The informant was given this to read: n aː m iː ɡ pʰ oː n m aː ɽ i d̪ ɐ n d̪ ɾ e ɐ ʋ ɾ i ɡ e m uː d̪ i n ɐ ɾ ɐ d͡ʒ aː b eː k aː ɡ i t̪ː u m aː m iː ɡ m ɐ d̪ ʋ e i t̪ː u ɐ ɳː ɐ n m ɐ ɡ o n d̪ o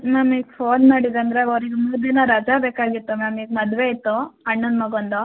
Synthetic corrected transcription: n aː m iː ɡ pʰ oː n m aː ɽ i d̪ ɐ n d̪ ɾ e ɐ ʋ ɾ i ɡ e m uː d̪ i n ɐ ɾ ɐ d͡ʒ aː b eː k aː ɡ i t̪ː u m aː m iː ɡ m ɐ d̪ ʋ e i t̪ː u ɐ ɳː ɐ n m ɐ ɡ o n d̪ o